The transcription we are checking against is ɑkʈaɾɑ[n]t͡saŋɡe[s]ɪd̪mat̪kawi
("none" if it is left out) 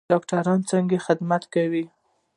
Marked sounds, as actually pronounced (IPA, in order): n, x

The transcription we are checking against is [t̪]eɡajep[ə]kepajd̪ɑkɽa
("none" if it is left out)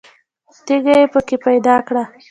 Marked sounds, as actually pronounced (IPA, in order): t̪, ə

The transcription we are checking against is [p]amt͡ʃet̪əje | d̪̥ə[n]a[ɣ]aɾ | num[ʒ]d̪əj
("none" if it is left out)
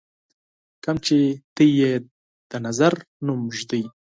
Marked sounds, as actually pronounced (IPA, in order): k, n, z, ʒ

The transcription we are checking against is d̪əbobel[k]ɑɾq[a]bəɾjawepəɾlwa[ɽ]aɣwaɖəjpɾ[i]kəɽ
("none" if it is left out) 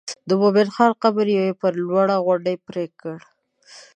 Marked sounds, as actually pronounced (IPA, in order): x, a, ɽ, e

